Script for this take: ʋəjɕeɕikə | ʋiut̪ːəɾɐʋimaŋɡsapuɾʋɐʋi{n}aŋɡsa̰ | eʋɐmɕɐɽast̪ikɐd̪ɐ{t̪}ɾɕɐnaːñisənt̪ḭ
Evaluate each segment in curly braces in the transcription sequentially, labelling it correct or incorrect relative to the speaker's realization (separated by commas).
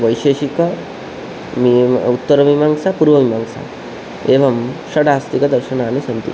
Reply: incorrect, incorrect